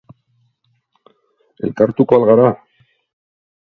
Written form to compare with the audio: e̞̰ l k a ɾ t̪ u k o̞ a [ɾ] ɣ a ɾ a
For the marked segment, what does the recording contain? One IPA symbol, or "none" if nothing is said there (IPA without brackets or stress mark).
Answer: l